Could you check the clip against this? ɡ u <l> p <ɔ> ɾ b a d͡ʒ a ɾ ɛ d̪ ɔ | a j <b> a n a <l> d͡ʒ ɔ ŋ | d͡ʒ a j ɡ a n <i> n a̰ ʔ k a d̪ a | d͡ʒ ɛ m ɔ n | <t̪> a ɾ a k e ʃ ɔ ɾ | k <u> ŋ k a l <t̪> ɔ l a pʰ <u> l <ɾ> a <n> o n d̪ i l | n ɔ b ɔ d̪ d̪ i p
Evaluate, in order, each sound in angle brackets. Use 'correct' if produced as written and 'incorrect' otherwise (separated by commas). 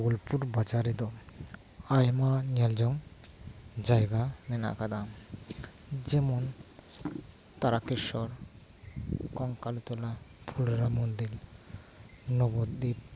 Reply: correct, incorrect, incorrect, correct, incorrect, correct, incorrect, correct, correct, correct, incorrect